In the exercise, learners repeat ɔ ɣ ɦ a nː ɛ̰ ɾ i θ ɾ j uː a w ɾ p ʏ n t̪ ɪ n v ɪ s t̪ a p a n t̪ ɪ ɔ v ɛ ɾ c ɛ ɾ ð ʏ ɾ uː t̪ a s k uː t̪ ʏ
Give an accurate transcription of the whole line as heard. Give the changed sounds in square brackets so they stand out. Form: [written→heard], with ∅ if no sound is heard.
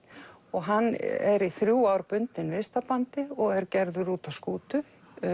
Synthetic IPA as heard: ɔ ɣ ɦ a nː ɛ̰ ɾ i θ ɾ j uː a w ɾ p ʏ n t̪ ɪ n v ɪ s t̪ a p a n t̪ ɪ ɔ [v→ɣ] ɛ ɾ c ɛ ɾ ð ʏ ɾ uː t̪ a s k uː t̪ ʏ